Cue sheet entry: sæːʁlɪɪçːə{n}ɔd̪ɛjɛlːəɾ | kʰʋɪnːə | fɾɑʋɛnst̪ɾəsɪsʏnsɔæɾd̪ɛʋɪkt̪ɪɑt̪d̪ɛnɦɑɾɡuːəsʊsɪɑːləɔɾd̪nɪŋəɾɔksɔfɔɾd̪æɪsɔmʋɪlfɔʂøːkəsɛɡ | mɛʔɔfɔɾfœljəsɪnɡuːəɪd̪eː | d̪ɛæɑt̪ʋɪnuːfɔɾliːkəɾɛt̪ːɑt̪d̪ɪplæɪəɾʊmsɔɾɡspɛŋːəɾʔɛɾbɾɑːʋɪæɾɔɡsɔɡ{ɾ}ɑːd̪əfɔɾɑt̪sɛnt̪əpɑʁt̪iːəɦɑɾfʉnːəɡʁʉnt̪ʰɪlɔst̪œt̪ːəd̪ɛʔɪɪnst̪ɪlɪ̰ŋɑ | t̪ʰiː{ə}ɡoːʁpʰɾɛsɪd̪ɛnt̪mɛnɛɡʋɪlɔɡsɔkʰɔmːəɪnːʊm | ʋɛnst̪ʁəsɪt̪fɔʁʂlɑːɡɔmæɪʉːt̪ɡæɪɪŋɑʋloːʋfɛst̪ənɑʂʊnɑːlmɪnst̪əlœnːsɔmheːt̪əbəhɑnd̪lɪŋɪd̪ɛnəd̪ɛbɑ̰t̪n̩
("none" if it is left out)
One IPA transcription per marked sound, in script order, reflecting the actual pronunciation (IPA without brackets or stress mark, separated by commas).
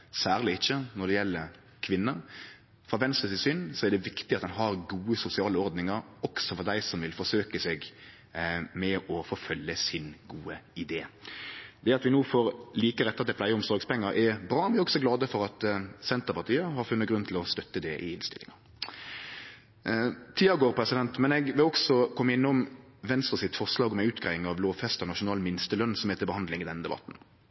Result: n, l, ɑ